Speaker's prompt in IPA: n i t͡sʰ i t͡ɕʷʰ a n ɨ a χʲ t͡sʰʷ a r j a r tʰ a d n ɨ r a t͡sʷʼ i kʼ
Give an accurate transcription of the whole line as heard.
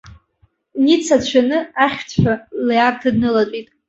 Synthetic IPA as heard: n i t͡sʰ a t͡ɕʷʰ a n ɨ a χʲ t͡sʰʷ a l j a r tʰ a d n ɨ l a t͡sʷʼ i tʼ